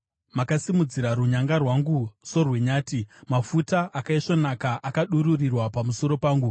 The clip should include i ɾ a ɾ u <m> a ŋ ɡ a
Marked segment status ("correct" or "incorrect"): incorrect